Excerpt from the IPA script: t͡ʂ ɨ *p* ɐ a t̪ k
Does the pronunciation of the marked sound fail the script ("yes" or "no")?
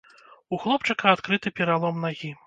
yes